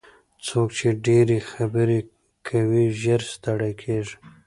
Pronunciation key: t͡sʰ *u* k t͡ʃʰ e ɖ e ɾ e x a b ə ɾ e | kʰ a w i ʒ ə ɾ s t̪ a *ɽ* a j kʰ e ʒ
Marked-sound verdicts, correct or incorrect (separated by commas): incorrect, correct